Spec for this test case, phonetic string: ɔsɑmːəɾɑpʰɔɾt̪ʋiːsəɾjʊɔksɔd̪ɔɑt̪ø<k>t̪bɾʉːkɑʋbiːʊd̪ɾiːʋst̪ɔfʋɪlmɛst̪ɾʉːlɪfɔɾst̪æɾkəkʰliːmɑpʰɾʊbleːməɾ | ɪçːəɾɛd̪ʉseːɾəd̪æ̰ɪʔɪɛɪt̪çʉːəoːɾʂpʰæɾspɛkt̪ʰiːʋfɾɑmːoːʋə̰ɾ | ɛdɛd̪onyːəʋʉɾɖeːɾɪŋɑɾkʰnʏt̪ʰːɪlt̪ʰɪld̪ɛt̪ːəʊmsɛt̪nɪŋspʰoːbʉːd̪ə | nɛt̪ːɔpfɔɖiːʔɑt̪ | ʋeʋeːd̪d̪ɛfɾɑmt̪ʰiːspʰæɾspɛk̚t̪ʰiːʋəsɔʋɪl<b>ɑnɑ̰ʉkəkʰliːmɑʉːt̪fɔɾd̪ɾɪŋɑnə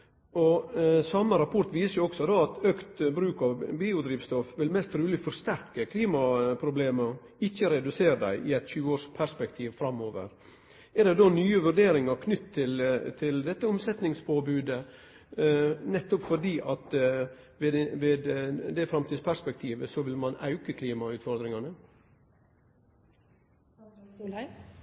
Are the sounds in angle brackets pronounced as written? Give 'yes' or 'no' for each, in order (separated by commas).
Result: yes, no